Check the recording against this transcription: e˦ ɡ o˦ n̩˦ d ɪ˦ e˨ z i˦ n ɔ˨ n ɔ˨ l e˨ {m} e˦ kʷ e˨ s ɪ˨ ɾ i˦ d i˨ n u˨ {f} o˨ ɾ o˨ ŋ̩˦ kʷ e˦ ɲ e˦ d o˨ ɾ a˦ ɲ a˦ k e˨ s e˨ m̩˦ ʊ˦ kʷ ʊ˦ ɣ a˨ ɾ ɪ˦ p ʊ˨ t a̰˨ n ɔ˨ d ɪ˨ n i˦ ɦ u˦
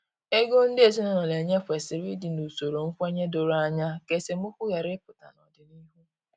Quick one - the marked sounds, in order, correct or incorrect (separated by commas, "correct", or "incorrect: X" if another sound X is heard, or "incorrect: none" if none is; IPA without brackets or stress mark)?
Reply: incorrect: ɲ, incorrect: s